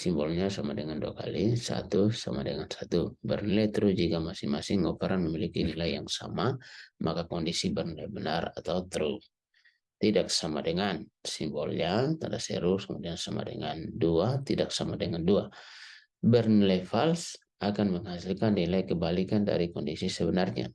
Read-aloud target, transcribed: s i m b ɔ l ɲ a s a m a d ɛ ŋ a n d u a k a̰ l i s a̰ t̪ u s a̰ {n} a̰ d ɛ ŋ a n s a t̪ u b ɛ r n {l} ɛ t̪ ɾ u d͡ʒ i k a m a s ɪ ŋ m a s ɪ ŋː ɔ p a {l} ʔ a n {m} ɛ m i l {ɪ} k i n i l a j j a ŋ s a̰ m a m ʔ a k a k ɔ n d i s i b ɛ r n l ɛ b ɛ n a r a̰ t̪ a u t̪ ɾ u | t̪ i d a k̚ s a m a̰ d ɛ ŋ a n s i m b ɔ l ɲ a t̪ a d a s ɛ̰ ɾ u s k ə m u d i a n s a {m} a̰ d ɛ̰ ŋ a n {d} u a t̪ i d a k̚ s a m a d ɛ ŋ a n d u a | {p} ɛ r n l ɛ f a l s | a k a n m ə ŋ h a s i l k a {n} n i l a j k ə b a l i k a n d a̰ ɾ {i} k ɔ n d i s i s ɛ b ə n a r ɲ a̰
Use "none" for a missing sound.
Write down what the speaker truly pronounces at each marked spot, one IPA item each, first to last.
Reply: m, l, ɾ, m, i, m, d, b, n, i

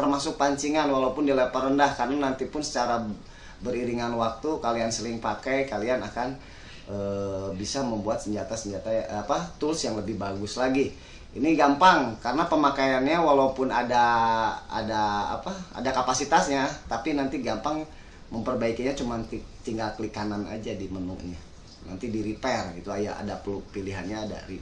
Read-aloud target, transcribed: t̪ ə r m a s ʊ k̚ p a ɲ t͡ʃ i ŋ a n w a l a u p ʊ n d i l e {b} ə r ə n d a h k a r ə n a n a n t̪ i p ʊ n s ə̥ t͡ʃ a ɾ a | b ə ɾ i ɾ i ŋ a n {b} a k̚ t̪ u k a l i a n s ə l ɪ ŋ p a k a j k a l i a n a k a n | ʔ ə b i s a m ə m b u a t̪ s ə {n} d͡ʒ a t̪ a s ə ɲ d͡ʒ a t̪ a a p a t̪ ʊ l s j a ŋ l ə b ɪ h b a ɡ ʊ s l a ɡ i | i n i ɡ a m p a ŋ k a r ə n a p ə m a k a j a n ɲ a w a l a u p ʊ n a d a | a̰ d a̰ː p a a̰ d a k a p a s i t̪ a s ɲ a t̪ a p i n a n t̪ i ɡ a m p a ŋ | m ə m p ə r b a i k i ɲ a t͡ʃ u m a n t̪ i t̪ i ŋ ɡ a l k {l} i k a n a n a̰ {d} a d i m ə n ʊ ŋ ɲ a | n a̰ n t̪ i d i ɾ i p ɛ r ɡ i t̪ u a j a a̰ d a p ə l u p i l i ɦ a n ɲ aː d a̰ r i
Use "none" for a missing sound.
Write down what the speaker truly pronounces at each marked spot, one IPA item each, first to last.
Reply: p, w, ɲ, l, d͡ʒ

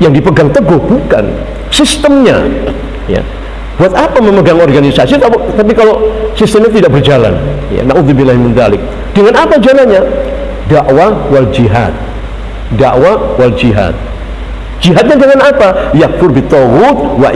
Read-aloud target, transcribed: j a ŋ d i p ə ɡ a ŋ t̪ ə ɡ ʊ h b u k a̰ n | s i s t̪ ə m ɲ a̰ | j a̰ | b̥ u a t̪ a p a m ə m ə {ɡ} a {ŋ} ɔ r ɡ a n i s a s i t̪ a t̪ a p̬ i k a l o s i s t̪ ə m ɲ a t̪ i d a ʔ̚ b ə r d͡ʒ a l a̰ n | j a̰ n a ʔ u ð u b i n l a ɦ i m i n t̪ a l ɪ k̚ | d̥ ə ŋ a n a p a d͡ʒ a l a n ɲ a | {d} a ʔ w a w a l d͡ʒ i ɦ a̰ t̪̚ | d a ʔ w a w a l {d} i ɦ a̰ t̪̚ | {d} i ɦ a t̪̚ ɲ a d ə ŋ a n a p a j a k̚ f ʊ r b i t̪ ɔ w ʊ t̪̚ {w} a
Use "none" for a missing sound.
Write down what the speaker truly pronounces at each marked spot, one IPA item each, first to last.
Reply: ɡ, ŋ, d, d͡ʒ, d͡ʒ, w

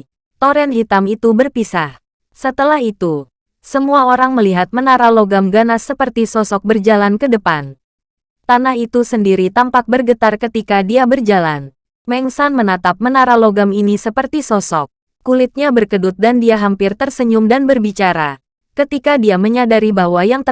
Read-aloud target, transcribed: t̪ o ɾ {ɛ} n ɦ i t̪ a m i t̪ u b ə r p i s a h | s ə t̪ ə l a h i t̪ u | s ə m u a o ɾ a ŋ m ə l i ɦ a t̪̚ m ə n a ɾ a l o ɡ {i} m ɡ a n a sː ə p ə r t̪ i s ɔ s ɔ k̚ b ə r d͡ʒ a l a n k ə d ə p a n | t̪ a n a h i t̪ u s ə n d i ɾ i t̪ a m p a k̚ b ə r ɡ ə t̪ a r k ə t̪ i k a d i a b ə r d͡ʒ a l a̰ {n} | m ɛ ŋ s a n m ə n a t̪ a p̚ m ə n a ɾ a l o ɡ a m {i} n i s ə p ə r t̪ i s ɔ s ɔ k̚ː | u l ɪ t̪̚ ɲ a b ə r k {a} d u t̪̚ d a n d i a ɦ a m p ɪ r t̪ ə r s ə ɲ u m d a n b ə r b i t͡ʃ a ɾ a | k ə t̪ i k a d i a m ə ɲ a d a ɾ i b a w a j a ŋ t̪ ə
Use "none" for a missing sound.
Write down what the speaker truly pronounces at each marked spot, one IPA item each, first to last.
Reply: ɛ, a, n, i, ə

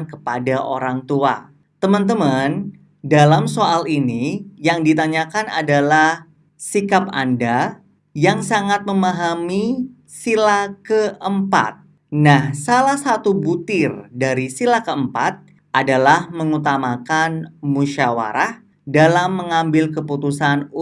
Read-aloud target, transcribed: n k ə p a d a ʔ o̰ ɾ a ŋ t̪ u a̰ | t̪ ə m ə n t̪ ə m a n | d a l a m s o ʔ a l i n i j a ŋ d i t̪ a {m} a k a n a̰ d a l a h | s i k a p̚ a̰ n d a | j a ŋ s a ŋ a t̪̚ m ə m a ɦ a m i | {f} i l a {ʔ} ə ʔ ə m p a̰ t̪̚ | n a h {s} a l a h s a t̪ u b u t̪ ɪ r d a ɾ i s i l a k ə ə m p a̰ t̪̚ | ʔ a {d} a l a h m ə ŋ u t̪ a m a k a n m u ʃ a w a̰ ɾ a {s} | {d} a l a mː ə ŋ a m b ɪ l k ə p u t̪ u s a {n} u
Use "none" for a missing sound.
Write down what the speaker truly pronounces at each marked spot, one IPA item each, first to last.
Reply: ɲ, s, k, s, d, h, d, n

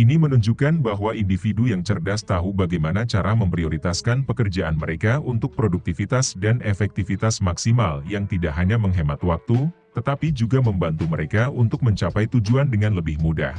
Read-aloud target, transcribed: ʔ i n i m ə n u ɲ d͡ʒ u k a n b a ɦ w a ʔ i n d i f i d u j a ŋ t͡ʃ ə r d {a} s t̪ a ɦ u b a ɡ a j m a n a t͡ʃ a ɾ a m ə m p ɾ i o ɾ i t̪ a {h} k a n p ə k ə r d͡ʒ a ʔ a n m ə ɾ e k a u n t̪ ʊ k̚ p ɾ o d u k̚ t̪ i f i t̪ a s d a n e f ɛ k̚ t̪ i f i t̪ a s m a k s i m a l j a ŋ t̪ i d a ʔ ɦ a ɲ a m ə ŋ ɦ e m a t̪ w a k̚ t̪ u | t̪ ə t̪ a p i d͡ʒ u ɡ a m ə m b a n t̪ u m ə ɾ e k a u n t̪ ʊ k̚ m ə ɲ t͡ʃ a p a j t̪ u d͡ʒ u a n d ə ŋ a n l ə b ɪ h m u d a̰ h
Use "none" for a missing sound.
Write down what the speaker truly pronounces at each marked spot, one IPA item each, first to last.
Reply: a, s

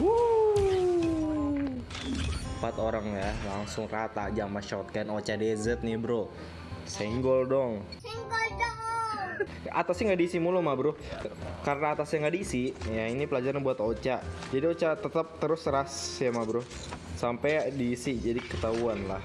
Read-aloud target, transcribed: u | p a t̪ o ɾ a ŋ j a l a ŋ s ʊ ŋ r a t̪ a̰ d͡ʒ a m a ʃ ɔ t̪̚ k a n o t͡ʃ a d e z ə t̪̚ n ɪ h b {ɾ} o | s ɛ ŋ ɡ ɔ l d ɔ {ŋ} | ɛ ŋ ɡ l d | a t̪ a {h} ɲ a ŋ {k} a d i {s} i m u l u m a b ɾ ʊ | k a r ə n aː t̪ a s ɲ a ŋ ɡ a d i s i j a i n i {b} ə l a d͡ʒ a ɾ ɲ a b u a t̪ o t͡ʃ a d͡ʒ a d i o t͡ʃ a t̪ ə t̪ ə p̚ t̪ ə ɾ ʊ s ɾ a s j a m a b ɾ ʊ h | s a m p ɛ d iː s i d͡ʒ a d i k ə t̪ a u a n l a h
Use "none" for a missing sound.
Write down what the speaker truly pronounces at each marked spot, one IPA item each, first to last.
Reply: ɾ, ŋ, s, ɡ, s, p

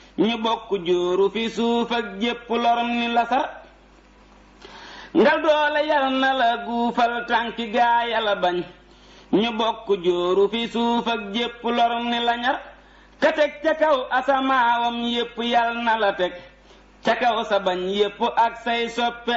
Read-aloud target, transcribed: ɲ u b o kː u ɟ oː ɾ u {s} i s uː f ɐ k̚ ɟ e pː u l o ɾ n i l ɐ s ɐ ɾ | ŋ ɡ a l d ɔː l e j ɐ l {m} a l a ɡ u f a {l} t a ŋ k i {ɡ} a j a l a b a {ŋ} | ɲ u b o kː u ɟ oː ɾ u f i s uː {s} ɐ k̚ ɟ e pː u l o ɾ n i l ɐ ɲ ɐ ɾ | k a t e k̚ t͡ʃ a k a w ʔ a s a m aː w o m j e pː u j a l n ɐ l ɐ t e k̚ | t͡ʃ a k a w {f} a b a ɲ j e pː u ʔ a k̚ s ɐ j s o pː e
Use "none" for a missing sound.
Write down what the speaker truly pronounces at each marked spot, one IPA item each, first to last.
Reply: f, n, l, ɡ, ɲ, f, s

